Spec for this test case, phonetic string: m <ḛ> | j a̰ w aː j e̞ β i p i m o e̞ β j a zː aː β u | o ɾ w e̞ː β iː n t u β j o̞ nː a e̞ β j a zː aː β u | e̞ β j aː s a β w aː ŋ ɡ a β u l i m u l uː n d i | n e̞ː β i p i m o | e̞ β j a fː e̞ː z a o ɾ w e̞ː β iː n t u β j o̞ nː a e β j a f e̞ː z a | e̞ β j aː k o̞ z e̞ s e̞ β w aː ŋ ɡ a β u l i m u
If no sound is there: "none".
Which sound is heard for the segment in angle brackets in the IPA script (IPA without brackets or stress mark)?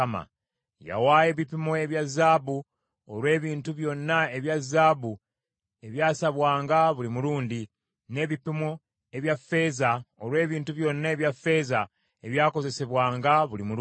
a̰